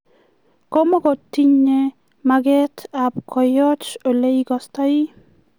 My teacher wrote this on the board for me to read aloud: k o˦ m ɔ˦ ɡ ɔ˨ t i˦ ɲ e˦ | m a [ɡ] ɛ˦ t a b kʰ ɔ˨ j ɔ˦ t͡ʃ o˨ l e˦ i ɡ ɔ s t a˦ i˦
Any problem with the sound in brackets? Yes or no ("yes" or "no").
no